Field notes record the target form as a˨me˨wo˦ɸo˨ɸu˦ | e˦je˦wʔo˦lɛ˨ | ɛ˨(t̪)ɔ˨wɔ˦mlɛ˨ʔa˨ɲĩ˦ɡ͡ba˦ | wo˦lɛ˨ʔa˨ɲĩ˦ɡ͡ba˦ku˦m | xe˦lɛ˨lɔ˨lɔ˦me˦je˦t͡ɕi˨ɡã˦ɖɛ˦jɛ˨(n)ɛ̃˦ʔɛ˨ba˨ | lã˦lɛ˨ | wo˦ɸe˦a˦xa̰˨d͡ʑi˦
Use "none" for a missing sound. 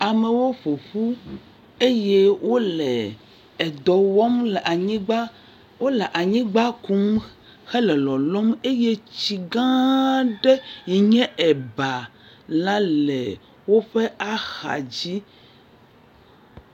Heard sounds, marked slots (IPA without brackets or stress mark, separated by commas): d̪, ɲ